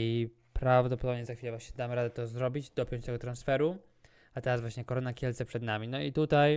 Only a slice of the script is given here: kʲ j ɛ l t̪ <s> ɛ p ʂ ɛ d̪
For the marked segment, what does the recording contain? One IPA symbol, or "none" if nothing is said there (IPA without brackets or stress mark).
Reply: s